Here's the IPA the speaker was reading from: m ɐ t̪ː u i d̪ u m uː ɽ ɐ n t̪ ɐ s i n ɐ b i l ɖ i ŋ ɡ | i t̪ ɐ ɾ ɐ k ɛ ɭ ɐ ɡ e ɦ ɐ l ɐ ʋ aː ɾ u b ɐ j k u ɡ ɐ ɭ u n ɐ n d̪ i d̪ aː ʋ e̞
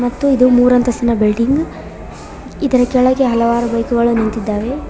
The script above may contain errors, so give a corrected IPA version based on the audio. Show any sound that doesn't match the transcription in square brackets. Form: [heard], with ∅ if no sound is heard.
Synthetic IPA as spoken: m ɐ t̪ː u i d̪ u m uː [ɾ] ɐ n t̪ ɐ s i n ɐ b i l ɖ i ŋ ɡ | i [d̪] ɐ ɾ ɐ k ɛ ɭ ɐ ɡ e ɦ ɐ l ɐ ʋ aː ɾ u b ɐ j k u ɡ ɐ ɭ u n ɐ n [t̪] i [d̪ː] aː ʋ e̞